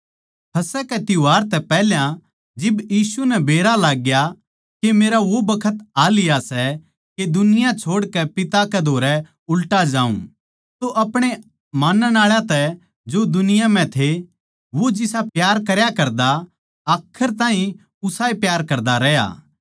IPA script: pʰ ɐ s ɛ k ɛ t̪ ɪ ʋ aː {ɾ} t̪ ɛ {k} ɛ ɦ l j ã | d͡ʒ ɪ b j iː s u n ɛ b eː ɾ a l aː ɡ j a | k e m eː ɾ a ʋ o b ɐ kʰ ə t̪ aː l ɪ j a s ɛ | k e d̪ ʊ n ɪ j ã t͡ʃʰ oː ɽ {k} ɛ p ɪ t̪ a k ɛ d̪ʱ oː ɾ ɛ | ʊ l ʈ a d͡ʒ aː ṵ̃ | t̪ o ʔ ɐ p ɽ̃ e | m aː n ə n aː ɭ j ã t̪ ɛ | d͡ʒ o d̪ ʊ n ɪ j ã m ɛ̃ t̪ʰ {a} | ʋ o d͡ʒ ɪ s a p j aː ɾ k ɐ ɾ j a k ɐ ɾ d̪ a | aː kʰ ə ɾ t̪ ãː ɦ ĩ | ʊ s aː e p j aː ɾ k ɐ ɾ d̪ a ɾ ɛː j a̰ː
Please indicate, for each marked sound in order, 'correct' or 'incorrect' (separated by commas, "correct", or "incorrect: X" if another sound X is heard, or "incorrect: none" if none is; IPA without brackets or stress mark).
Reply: correct, incorrect: p, correct, incorrect: e